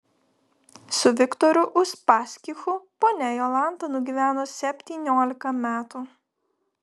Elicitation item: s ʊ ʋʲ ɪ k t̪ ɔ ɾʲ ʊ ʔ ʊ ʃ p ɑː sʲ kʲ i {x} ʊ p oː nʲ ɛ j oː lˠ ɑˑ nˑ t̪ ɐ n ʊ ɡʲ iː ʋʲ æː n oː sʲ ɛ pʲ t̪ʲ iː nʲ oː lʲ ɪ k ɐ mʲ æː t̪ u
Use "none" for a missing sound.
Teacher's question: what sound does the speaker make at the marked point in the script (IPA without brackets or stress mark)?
x